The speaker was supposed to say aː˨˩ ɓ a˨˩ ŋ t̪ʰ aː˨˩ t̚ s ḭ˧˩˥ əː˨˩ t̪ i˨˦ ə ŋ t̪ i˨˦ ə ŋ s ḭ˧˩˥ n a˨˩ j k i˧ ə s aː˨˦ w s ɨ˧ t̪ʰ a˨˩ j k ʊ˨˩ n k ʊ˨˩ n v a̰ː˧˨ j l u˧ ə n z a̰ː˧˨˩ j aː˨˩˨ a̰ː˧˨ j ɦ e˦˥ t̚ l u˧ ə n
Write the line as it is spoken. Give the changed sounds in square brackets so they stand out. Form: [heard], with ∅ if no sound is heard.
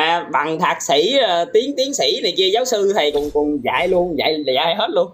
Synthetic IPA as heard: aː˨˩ ɓ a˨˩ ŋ t̪ʰ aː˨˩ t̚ s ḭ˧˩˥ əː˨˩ t̪ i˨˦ ə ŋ t̪ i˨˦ ə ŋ s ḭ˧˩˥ n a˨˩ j k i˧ ə [z] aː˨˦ w s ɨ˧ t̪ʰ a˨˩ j k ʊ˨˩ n k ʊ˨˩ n [z] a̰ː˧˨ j l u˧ ə n z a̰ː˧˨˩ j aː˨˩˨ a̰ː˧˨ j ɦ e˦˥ t̚ l u˧ ə n